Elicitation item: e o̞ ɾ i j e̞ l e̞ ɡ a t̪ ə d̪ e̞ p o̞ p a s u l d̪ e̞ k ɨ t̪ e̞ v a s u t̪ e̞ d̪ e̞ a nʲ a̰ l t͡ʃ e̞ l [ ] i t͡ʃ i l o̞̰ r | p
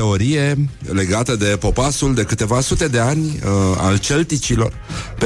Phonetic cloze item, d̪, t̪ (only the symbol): t̪